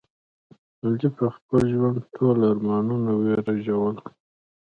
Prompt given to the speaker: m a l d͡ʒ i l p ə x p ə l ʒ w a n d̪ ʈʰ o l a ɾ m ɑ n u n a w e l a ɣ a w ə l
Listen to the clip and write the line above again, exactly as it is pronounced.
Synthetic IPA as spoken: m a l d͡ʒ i p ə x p ə l ʒ w a n d̪ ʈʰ o l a ɾ m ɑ n u n a w e ɾ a ʒ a w ə l